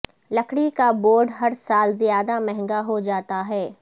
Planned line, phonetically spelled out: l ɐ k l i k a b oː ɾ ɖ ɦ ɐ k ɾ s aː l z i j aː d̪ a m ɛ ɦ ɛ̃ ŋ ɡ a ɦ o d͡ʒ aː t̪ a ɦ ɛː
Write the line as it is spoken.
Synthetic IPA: l ɐ k ɽ i k a b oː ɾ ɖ ɦ ɐ ɾ s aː l z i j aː d̪ a m ɛ ɦ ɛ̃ ŋ ɡ a ɦ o d͡ʒ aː t̪ a ɦ ɛː